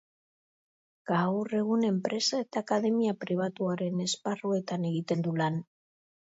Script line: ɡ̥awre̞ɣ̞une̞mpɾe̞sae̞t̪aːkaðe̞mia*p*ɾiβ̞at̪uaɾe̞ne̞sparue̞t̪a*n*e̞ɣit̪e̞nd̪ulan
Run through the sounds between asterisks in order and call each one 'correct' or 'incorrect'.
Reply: correct, correct

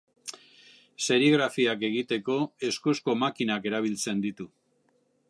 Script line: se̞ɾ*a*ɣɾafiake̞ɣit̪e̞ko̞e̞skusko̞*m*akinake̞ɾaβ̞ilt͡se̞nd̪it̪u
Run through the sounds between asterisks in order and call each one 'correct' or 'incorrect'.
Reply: incorrect, correct

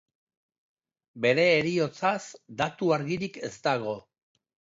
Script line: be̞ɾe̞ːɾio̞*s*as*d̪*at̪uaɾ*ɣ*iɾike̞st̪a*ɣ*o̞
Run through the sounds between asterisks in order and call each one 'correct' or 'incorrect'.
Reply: incorrect, correct, correct, correct

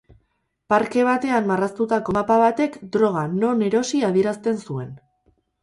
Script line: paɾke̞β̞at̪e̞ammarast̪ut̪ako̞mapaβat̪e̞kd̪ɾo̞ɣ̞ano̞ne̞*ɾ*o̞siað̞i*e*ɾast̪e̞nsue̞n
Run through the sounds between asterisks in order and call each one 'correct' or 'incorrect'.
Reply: correct, correct

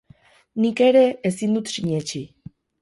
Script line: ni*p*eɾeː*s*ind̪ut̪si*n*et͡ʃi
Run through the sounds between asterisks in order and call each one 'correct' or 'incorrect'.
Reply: incorrect, correct, incorrect

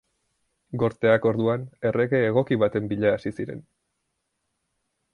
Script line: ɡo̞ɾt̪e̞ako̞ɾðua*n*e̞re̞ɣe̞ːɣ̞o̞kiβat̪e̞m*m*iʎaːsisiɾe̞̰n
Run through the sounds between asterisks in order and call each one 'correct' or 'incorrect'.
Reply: correct, incorrect

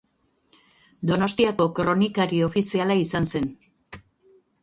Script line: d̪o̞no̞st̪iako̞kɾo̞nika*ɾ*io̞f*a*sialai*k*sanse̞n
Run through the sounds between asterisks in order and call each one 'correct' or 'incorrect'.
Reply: correct, incorrect, incorrect

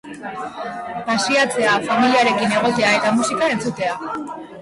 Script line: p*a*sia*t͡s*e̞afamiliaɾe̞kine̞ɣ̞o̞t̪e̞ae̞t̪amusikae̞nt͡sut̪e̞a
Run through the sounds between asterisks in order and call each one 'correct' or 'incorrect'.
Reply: correct, correct

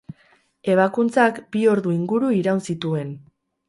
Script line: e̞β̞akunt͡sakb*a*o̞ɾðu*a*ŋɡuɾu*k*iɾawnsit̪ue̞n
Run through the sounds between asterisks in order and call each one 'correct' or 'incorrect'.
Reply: incorrect, incorrect, incorrect

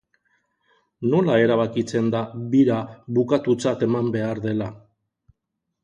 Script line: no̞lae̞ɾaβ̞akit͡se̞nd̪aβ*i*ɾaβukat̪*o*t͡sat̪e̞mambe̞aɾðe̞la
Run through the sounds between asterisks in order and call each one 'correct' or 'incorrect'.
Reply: correct, incorrect

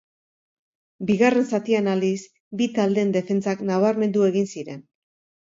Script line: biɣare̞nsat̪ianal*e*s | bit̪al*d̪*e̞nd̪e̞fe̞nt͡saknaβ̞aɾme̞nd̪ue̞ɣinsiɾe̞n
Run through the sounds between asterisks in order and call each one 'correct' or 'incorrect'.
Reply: incorrect, correct

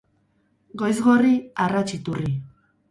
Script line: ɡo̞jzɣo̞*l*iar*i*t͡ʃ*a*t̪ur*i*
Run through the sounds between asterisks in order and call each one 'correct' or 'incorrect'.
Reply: incorrect, incorrect, incorrect, correct

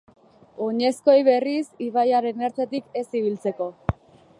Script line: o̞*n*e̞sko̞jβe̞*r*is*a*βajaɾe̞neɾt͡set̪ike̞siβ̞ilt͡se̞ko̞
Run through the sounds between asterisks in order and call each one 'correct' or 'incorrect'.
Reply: incorrect, correct, incorrect

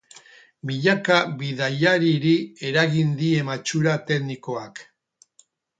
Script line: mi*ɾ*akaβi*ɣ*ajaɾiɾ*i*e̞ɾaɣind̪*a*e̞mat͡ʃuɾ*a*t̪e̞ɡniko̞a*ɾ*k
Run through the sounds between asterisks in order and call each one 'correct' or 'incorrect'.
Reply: incorrect, incorrect, correct, incorrect, correct, incorrect

